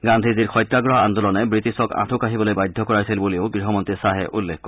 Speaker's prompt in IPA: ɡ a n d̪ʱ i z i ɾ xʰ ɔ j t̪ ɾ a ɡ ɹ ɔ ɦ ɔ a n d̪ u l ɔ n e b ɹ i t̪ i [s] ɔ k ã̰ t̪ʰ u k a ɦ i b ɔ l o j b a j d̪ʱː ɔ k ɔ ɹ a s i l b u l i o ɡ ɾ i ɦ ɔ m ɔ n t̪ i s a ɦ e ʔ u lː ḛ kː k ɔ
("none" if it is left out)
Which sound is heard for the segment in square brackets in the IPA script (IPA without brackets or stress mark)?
s